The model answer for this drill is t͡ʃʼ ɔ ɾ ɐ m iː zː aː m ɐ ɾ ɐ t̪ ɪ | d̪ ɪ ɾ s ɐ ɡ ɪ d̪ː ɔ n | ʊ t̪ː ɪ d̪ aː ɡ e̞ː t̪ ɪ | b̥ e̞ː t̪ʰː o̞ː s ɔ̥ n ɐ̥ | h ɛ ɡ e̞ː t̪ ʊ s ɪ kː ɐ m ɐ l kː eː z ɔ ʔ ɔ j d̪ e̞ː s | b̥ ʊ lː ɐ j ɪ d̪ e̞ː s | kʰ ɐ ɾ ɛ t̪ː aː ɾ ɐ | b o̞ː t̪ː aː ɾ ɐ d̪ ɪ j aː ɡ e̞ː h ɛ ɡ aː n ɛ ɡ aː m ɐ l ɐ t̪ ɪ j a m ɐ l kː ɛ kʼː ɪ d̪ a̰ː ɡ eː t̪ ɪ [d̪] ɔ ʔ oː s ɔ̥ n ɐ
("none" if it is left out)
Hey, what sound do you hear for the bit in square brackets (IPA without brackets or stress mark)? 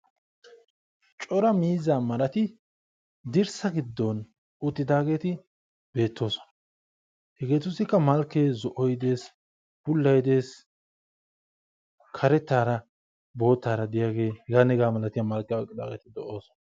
d̪